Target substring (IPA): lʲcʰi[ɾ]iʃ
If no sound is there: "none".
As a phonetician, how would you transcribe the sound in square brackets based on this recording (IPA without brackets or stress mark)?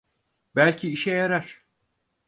none